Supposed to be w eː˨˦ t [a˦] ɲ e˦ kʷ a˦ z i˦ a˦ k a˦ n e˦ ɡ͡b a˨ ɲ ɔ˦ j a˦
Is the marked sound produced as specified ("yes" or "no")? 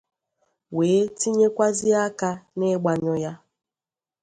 no